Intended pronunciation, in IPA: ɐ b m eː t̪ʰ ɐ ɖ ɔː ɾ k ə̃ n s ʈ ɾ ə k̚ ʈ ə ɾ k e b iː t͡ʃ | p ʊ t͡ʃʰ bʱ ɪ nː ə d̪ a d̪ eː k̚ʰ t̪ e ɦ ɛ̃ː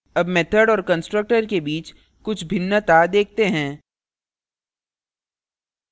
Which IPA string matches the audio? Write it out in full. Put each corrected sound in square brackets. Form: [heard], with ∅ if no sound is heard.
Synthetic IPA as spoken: ɐ b m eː t̪ʰ [ə] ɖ ɔː ɾ k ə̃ n s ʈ ɾ ə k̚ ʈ ə ɾ k e b iː t͡ʃ | [k] ʊ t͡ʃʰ bʱ ɪ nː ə [t̪] a d̪ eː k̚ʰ t̪ e ɦ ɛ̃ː